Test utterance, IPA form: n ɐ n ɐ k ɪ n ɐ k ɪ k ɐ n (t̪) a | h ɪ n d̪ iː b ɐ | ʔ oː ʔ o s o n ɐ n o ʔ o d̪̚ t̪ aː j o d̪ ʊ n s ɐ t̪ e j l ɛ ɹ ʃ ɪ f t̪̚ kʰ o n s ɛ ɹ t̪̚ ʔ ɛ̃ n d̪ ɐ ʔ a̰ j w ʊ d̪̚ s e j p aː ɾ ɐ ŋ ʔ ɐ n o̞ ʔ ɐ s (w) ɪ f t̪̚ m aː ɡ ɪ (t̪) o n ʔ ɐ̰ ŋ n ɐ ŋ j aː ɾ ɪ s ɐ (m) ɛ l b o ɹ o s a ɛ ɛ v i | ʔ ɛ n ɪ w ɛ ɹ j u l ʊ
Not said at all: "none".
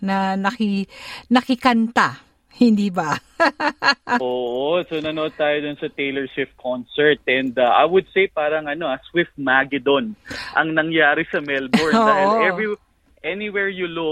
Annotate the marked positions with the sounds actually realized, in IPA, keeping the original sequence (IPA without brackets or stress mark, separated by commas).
t̪, w, d̪, m